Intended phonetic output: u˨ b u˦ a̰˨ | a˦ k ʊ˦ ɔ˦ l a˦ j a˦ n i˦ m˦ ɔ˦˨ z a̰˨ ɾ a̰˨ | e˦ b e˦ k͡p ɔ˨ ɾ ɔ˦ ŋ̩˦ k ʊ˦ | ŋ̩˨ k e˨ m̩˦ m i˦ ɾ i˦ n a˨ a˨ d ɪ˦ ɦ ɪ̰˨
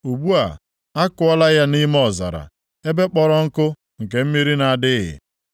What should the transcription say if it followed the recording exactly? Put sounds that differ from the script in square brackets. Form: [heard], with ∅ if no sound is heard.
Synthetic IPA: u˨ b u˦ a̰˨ | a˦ k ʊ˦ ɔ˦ l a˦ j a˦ n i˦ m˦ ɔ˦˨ z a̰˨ ɾ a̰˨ | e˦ b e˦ k͡p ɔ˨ ɾ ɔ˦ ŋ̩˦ k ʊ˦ | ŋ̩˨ k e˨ m̩˦ m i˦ ɾ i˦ n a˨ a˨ d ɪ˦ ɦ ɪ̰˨